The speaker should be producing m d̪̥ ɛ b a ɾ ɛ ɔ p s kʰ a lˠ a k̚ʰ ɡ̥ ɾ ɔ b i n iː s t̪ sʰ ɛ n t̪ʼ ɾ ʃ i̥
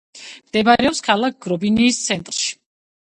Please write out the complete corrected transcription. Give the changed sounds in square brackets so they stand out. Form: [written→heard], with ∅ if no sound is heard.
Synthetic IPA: m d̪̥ ɛ b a ɾ ɛ ɔ p s kʰ a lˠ a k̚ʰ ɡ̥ ɾ ɔ b i n iː s t̪ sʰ ɛ n t̪ʼ ɾ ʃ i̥